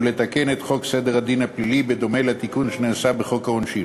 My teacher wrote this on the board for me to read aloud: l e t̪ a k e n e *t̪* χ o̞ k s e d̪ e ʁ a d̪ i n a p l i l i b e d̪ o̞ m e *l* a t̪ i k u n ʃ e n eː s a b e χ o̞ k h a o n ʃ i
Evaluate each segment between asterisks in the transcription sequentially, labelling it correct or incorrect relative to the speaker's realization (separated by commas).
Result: correct, correct